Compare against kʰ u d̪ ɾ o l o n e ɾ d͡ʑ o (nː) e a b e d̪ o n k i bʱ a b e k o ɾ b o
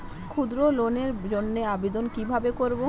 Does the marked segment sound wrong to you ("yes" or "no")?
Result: no